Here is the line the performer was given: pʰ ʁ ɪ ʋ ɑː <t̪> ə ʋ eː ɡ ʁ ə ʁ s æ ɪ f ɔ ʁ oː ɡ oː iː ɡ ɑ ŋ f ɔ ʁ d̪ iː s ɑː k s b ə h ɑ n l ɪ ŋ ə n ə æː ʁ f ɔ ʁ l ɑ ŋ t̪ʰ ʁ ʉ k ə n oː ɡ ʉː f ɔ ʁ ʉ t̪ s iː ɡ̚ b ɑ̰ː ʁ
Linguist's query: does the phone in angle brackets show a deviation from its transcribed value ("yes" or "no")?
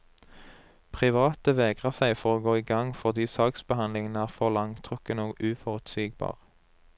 no